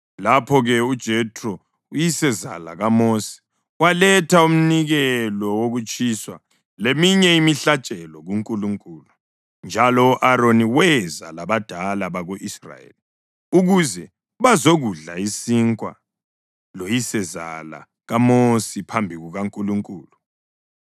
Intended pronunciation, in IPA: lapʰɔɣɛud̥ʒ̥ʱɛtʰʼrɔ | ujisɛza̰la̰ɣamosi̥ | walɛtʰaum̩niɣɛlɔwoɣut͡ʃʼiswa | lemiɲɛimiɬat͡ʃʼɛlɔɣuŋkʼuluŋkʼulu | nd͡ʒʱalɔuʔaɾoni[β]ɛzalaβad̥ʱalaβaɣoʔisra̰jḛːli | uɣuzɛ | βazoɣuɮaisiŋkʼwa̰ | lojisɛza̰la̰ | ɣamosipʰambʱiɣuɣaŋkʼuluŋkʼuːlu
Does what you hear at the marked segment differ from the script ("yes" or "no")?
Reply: yes